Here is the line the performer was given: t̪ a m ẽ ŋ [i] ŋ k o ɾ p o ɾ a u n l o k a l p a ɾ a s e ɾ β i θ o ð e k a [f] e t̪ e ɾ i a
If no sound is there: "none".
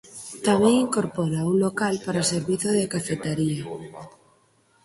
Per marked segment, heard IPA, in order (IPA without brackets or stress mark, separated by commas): i, f